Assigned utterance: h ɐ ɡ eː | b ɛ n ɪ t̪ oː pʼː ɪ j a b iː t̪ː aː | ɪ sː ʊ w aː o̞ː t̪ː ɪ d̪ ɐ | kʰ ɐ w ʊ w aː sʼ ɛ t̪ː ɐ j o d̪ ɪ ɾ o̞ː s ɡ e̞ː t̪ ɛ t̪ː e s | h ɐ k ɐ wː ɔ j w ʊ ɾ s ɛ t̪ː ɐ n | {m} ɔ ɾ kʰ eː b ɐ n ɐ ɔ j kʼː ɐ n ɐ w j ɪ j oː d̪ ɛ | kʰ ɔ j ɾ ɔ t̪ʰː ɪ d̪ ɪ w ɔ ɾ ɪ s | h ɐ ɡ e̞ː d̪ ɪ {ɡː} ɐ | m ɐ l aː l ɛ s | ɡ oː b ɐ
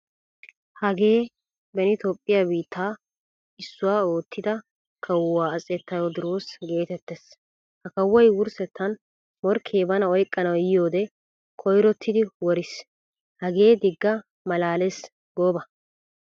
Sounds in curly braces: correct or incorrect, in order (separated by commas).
correct, correct